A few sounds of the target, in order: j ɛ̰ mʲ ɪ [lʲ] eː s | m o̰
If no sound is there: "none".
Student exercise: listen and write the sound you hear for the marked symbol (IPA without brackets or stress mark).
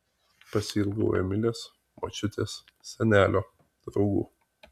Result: lʲ